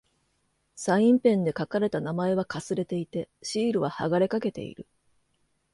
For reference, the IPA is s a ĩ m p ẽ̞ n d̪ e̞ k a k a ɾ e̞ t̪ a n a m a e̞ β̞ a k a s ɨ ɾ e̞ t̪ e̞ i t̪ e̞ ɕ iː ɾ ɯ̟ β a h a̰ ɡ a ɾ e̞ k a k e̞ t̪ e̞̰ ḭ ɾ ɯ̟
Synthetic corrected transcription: s a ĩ m p ẽ̞ n d̪ e̞ k a k a ɾ e̞ t̪ a n a m a e̞ β̞ a k a s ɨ ɾ e̞ t̪ e̞ i t̪ e̞ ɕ iː ɾ ɯ̟ β a h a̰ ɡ a ɾ e̞ k a k e̞ t̪ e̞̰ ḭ ɾ ɯ̟

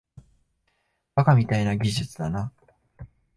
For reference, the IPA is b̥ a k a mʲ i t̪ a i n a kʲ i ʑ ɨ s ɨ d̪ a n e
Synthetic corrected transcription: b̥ a k a mʲ i t̪ a i n a ɡʲ i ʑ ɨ t͡s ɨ d̪ a n a

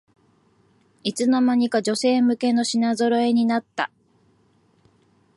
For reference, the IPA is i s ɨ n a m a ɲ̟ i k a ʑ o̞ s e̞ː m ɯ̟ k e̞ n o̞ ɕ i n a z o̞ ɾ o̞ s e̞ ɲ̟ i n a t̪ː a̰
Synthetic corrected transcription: i t͡s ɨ n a m a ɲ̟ i k a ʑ o̞ s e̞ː m ɯ̟ k e̞ n o̞ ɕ i n a z o̞ ɾ o̞ e̞ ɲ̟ i n a t̪ː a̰

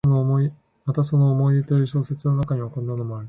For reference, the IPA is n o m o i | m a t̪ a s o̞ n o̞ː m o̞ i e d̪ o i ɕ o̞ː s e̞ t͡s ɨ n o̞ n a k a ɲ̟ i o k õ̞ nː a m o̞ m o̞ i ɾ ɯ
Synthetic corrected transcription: n o m o i | m a t̪ a s o̞ n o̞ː m o̞ i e t̪ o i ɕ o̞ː s e̞ t͡s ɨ n o̞ n a k a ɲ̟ i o k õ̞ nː a n o̞ m o̞ a ɾ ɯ

